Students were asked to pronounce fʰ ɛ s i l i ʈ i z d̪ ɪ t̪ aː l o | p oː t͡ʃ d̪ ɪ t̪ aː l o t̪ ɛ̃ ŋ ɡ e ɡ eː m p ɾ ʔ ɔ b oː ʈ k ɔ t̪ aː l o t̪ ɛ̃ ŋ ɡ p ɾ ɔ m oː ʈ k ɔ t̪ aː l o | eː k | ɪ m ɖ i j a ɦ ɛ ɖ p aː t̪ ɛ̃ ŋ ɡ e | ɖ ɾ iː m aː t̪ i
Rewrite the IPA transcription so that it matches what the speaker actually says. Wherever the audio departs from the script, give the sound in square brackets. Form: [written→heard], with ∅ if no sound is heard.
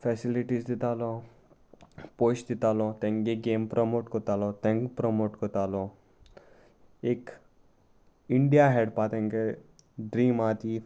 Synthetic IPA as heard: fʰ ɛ s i l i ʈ i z d̪ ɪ t̪ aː l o | p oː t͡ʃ d̪ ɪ t̪ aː l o t̪ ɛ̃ ŋ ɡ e ɡ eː m p ɾ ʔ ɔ [b→m] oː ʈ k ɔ t̪ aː l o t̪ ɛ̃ ŋ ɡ p ɾ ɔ m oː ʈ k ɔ t̪ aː l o | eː k | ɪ [m→ɳ] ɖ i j a ɦ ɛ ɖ p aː t̪ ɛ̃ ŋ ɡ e | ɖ ɾ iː m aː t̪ i